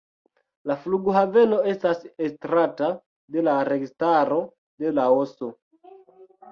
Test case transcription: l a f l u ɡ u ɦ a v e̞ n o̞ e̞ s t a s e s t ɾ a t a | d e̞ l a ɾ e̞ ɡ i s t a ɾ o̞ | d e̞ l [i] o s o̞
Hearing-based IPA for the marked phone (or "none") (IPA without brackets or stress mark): a